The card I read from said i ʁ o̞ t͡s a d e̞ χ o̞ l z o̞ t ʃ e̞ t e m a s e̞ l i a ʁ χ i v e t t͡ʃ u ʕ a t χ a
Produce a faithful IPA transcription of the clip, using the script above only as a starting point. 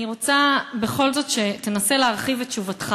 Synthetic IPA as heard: i ʁ o̞ t͡s a b e̞ χ o̞ l z o̞ t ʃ e̞ t e n a s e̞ l e a ʁ χ i v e t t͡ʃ u v a t χ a